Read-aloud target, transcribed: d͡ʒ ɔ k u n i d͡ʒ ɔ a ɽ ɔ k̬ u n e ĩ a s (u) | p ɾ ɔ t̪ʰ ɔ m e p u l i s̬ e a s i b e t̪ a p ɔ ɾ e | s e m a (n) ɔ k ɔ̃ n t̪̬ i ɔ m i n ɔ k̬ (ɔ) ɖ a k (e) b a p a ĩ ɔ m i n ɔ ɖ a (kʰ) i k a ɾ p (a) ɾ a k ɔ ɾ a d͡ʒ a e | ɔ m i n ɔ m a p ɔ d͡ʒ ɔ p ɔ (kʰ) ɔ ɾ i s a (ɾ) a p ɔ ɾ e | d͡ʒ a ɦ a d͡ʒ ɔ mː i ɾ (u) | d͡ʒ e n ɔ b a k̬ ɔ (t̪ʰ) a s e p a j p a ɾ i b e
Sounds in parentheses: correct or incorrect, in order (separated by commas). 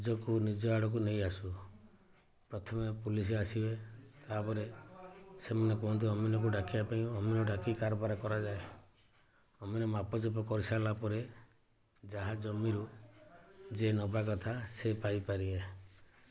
correct, correct, incorrect, incorrect, incorrect, correct, incorrect, incorrect, correct, correct